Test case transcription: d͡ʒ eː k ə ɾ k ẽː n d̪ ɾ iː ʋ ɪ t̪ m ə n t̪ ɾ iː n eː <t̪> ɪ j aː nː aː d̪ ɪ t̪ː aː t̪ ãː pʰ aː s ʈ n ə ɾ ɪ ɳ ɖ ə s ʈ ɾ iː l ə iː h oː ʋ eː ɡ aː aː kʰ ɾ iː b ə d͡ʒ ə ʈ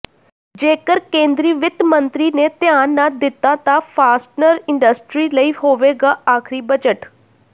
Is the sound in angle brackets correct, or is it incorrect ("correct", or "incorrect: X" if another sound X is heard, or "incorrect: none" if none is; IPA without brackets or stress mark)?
correct